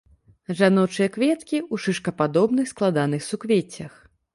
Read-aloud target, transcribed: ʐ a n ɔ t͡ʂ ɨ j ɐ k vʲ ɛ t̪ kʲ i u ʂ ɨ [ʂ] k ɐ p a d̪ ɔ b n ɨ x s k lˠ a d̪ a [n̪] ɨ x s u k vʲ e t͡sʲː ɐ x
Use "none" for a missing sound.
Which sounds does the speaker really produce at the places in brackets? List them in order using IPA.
ʂ, n̪

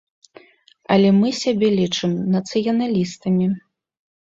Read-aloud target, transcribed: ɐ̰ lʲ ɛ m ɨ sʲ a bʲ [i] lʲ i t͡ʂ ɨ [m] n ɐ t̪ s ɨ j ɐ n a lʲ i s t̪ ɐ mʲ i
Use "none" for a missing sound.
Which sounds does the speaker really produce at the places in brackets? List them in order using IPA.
ɛ, m

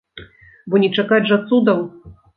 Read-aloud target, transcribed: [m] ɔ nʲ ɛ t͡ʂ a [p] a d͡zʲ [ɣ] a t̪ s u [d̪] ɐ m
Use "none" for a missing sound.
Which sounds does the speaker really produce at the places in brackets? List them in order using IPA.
b, k, ʐ, d̪

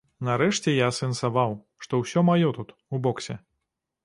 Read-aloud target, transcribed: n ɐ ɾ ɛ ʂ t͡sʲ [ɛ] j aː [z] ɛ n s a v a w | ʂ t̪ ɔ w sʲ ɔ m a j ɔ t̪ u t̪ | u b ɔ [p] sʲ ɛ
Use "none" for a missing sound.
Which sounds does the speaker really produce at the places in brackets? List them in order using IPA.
ɛ, s, k

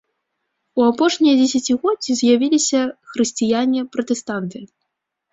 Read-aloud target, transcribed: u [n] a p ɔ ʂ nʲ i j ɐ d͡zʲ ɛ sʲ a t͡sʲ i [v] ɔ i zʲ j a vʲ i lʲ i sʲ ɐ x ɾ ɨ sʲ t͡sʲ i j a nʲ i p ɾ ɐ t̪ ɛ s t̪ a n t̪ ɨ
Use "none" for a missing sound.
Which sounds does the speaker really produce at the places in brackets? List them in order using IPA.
none, ɣ

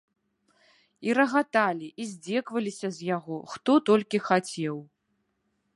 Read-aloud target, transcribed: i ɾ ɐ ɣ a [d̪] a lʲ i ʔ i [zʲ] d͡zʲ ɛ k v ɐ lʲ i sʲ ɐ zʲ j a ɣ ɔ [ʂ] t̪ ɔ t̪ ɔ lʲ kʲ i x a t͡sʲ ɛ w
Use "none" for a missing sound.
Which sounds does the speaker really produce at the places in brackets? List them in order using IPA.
t̪, zʲ, x

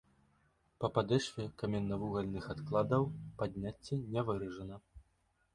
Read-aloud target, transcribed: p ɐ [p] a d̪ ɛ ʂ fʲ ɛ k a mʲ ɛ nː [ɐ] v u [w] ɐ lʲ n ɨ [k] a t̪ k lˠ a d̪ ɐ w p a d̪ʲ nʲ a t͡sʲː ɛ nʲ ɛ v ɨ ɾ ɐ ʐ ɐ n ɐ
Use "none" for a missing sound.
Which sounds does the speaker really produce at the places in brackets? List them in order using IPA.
p, ɐ, ɣ, x

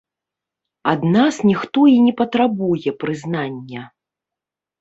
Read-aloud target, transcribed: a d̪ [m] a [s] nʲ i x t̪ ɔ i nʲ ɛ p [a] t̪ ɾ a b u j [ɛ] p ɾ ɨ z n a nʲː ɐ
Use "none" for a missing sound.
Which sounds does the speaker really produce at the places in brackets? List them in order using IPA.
n, s, ɐ, ɛ

